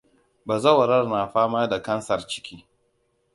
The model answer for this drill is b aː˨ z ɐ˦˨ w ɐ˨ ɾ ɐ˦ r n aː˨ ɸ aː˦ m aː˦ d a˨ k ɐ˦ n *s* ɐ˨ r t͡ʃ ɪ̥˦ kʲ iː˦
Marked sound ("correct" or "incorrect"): correct